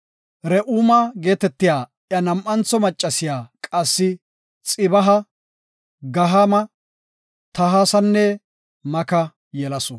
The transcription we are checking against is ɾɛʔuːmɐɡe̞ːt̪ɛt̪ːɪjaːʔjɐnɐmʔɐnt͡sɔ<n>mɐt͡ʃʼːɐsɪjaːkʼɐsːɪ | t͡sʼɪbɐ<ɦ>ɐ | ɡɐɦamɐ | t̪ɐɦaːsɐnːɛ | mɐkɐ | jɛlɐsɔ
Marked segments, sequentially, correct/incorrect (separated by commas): incorrect, correct